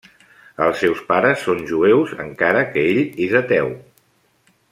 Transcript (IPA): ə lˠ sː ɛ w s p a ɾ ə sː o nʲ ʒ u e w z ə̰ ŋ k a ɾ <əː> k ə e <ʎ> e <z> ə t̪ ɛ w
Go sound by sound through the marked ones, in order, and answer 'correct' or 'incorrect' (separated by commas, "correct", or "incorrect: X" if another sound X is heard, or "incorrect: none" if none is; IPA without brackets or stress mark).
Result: incorrect: ə, correct, correct